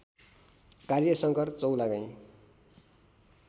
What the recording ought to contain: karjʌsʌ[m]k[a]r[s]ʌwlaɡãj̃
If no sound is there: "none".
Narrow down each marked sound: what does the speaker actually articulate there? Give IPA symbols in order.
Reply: ŋ, ʌ, t͡s

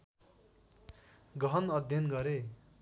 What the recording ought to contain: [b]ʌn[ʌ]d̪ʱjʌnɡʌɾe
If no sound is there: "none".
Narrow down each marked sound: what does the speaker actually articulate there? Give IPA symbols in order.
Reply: ɡ, ʌ

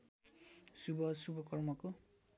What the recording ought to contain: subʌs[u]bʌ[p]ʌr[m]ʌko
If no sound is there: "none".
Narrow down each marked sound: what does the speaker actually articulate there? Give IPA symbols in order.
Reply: u, k, m

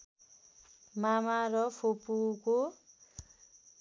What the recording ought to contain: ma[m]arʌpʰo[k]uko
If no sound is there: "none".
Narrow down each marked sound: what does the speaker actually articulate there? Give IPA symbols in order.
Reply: m, p

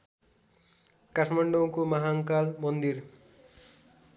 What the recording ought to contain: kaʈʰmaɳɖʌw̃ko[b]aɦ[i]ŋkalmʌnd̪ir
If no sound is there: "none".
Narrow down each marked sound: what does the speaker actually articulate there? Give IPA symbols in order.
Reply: m, a

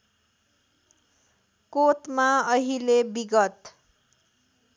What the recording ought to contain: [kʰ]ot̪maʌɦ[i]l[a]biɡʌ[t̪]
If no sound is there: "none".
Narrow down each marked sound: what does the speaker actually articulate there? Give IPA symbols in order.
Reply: k, i, e, t̪

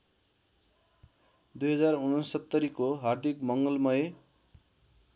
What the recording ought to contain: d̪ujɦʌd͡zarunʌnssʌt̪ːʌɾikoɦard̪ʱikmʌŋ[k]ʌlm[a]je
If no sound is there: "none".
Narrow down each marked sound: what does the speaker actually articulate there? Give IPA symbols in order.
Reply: ɡ, ʌ

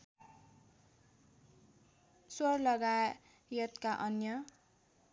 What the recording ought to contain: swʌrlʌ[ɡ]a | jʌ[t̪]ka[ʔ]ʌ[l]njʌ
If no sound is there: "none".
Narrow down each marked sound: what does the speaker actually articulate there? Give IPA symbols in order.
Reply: ɡ, t̪, ʔ, none

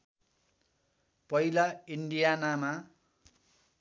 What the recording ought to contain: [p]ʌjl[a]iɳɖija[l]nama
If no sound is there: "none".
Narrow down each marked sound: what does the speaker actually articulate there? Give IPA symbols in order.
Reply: p, a, none

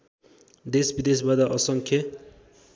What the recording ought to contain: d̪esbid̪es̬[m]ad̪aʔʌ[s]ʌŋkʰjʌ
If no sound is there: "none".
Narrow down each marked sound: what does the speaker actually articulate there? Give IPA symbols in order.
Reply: b, s

